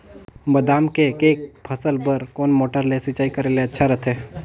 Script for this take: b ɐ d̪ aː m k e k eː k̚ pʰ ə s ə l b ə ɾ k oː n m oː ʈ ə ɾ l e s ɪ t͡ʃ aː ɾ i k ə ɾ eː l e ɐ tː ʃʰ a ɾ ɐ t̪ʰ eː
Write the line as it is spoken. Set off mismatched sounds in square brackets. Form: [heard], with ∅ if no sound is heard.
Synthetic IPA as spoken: b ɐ d̪ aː m k e k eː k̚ pʰ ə s ə l b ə ɾ k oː n m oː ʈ ə ɾ l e s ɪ t͡ʃ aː [∅] i k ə ɾ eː l e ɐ tː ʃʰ a ɾ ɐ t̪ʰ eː